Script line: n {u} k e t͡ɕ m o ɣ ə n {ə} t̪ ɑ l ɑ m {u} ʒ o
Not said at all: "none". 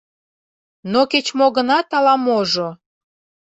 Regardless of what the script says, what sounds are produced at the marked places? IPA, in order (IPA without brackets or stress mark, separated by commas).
o, ɑ, o